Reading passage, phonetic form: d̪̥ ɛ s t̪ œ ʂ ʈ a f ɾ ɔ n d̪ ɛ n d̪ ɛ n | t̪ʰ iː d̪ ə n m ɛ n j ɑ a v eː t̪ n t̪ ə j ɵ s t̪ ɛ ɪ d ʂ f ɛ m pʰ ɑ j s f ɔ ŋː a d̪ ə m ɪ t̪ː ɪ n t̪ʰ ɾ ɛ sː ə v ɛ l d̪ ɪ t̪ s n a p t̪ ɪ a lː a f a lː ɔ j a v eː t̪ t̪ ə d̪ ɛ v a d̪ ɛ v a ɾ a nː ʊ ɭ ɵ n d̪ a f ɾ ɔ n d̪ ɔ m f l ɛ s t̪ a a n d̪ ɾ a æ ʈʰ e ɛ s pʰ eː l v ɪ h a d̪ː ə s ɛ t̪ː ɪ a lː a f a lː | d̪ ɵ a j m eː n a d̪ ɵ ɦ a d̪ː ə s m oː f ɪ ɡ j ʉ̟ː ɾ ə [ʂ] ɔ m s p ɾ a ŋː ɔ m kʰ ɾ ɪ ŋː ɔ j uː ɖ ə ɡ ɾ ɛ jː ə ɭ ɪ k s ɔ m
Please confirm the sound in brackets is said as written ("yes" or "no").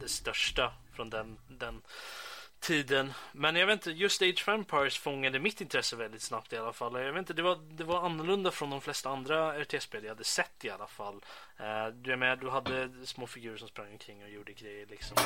yes